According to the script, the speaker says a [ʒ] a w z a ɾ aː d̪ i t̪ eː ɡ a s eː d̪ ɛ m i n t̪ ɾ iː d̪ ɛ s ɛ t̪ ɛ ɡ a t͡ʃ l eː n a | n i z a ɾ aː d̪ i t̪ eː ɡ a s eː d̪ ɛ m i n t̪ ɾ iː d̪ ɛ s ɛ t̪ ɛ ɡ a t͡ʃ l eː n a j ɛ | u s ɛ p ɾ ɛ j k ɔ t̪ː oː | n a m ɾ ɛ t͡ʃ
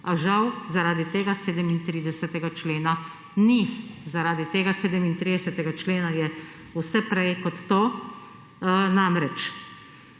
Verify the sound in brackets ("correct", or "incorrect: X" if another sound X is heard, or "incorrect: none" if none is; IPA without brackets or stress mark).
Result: correct